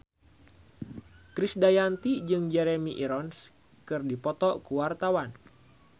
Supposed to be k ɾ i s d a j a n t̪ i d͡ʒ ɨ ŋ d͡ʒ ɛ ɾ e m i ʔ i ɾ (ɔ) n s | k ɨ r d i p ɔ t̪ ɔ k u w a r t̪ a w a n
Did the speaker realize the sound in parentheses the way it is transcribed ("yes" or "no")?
yes